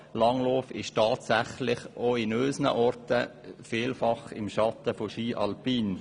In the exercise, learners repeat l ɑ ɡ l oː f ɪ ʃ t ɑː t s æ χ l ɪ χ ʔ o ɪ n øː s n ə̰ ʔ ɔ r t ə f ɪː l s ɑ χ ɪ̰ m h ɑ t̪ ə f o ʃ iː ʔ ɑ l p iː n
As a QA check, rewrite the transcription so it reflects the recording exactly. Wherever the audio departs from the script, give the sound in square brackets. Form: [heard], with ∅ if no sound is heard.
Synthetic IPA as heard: l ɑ [ŋ] l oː f ɪ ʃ t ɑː t s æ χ l ɪ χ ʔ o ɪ n øː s n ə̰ ʔ ɔ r t ə f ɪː l [f] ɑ χ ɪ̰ m [ʃ] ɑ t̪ ə f o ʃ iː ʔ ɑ l p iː n

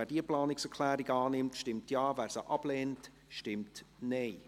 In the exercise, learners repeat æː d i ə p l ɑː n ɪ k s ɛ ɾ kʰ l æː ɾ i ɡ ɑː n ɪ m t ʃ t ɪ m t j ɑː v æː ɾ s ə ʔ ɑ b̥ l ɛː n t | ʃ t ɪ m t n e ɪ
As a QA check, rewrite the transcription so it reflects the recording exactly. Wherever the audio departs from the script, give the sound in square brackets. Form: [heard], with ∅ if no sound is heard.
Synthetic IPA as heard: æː d i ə p l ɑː n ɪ k s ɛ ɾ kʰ l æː ɾ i ɡ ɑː n ɪ m t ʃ t ɪ m t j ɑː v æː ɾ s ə ʔ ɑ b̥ l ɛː n t | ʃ t ɪ m t n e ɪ

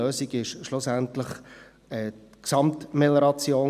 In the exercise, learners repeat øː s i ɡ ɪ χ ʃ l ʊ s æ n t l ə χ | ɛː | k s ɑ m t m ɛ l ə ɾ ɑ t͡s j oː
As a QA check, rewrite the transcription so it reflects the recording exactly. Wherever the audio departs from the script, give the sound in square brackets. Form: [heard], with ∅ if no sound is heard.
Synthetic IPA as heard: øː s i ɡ ɪ [ʃ] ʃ l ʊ s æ n t l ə χ | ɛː | k s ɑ m t m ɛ l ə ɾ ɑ t͡s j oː

